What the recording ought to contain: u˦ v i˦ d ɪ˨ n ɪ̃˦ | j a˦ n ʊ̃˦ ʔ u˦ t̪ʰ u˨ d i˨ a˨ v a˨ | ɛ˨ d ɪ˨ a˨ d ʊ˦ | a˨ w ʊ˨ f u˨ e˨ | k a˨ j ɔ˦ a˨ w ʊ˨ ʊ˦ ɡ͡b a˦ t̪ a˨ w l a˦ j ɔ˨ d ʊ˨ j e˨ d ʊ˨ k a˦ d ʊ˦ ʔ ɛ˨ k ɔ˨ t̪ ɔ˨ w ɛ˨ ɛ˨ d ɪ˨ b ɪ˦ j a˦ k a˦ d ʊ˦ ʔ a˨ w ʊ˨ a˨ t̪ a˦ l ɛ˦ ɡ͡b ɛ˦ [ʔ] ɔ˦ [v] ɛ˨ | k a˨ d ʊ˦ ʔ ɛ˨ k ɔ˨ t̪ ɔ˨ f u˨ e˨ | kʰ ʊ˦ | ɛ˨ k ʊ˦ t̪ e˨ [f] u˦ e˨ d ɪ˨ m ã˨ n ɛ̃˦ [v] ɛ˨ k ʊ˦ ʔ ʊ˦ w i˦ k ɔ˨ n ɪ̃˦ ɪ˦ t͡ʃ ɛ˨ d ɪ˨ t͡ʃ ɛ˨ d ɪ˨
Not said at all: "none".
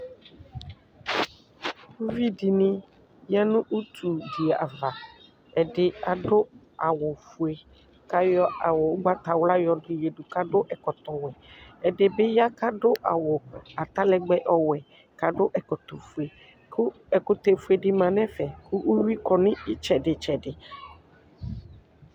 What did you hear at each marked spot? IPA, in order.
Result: ʔ, w, f, f

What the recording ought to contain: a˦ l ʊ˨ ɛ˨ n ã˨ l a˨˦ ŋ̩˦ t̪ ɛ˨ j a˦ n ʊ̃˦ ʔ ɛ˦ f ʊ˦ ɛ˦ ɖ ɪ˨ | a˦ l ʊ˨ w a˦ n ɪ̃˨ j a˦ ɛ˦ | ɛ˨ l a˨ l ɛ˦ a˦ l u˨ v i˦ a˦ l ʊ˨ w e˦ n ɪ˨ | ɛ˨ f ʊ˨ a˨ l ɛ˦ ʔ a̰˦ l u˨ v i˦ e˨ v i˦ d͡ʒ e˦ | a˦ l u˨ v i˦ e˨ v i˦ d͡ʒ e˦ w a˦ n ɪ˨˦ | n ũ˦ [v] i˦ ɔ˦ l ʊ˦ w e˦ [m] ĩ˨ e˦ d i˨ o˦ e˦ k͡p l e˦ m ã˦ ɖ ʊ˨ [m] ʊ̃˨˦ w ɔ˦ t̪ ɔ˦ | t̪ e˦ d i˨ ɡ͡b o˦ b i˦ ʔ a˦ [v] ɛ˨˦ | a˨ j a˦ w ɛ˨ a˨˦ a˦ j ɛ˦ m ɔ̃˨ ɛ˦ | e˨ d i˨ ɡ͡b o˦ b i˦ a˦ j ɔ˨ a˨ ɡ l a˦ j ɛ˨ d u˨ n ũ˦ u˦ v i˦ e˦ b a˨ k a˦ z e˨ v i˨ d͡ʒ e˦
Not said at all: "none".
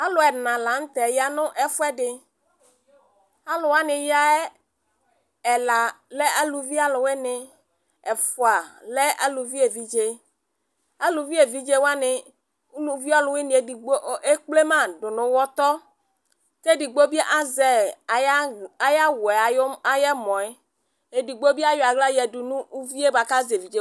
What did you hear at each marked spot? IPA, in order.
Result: v, n, n, z

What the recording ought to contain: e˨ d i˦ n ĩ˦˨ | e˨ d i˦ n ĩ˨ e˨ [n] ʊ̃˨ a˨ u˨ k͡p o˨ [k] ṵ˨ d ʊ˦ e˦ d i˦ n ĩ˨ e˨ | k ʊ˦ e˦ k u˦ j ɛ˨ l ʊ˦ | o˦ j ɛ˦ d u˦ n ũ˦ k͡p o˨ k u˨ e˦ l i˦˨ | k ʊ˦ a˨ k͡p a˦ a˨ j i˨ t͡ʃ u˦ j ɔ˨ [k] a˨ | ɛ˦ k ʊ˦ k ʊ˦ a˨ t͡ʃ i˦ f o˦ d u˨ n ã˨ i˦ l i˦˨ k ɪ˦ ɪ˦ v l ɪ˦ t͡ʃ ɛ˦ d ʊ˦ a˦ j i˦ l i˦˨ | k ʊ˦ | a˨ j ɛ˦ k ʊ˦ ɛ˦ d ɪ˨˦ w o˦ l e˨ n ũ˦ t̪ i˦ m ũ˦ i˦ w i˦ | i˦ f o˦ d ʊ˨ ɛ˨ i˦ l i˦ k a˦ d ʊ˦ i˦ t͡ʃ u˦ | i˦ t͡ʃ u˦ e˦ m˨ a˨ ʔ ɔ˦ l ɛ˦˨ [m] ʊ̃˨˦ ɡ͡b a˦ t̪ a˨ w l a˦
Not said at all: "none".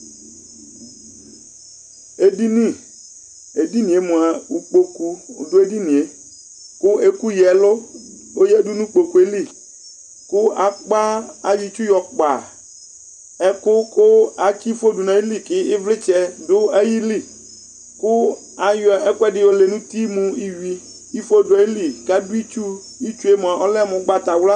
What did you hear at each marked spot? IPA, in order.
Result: m, k, k͡p, m

